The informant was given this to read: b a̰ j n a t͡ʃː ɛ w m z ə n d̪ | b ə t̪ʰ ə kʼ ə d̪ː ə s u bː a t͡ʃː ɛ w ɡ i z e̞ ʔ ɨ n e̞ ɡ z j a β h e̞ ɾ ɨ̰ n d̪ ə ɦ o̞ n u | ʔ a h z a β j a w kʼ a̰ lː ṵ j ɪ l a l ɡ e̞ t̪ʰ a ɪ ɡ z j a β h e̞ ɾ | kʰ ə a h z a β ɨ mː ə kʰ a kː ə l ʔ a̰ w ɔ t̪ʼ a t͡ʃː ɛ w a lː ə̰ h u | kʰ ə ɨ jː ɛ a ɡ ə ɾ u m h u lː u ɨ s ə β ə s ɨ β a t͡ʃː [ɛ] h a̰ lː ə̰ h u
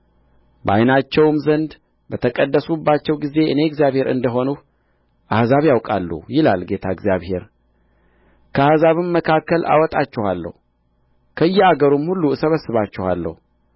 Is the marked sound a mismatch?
no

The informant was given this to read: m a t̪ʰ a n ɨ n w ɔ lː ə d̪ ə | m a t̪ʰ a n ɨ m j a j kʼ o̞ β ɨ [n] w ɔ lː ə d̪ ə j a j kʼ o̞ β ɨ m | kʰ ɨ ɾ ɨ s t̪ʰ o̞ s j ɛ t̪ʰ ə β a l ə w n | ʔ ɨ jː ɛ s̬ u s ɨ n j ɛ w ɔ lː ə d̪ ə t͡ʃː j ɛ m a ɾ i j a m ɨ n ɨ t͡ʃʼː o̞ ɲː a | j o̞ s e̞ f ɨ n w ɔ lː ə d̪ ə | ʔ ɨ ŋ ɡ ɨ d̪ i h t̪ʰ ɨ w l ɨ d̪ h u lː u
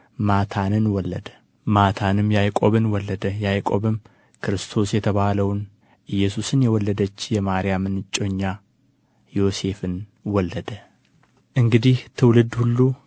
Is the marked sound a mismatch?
no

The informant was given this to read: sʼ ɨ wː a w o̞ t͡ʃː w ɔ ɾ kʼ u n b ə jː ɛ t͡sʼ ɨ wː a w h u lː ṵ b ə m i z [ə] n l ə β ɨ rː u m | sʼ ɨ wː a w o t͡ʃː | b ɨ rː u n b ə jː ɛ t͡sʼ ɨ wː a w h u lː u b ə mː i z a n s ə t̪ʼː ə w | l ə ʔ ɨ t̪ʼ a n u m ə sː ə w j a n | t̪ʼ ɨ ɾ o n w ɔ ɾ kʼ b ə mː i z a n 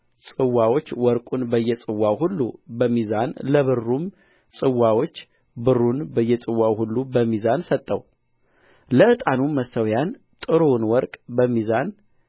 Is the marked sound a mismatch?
yes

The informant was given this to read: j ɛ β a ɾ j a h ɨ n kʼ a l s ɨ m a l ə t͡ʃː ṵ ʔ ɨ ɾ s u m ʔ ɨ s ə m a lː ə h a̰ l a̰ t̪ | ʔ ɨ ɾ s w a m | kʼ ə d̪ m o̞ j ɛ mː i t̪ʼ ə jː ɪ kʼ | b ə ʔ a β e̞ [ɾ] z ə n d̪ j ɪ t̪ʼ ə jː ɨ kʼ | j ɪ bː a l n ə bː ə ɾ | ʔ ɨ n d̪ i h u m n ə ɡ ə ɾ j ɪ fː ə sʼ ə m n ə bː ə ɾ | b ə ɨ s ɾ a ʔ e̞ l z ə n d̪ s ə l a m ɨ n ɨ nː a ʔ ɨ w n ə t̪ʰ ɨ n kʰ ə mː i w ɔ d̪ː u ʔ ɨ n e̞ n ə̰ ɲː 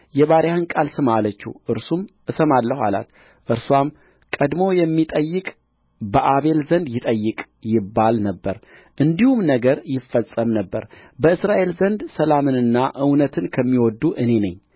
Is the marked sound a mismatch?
yes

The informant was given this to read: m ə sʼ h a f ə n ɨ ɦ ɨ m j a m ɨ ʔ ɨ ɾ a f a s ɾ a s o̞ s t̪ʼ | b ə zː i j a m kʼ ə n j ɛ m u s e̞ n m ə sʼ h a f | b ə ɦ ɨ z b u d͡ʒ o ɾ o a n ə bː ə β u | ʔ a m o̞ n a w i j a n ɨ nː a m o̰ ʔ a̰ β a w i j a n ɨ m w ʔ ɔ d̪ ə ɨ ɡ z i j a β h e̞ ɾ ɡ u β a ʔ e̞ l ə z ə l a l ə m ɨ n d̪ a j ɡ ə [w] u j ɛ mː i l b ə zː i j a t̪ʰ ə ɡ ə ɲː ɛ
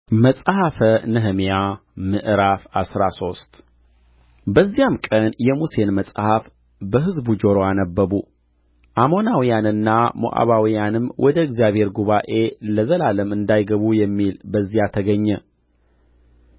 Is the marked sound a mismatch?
yes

